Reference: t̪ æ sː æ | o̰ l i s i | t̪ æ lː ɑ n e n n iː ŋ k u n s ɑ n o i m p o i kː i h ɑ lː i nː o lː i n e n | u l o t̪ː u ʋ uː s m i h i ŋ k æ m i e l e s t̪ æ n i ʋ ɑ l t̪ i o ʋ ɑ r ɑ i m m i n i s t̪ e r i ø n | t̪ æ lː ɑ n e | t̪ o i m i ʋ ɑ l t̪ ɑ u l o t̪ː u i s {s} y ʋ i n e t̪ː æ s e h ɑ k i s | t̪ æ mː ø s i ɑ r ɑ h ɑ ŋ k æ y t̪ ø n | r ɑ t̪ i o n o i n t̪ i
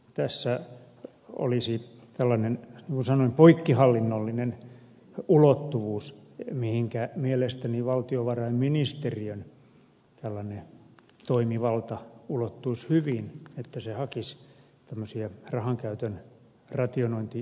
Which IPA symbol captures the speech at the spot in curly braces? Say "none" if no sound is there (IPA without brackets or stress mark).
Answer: h